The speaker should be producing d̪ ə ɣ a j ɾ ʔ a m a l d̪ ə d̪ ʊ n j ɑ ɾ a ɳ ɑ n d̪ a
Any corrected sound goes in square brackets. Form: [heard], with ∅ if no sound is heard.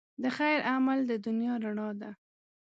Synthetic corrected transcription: d̪ ə [x] a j ɾ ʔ a m a l d̪ ə d̪ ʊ n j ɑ ɾ a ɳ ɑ [∅] d̪ a